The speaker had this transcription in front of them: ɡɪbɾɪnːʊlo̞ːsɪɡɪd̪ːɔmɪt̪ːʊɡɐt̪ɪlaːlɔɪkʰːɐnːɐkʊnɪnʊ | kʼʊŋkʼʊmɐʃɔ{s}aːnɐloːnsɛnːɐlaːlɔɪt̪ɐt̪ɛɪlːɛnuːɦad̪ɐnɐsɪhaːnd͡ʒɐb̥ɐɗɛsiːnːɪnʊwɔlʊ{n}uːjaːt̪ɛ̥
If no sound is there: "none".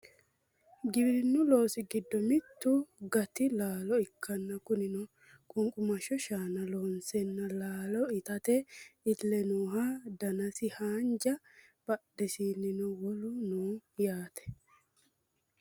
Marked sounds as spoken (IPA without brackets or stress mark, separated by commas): ʃ, n